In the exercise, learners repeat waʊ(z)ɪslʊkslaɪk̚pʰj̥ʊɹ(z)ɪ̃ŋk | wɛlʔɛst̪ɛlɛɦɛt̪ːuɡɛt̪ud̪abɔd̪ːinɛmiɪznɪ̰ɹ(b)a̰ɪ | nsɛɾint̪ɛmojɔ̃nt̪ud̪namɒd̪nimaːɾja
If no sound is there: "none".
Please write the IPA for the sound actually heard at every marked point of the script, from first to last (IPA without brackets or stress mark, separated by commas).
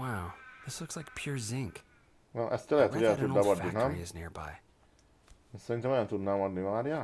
ð, z, b